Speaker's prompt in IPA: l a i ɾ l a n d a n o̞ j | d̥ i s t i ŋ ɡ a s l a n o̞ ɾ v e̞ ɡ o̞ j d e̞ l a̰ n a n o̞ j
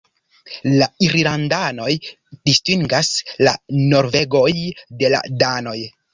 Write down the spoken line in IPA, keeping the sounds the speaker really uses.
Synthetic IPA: l a i ɾ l a n d a n o̞ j | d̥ i s t i ŋ ɡ a s l a n o̞ ɾ v e̞ ɡ o̞ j d e̞ l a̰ d a n o̞ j